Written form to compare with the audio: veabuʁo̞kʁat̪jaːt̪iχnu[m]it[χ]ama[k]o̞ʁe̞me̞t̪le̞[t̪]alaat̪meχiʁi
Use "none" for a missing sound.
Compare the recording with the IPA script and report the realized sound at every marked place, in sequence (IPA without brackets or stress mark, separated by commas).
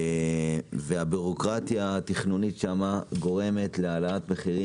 n, ʃ, ɡ, none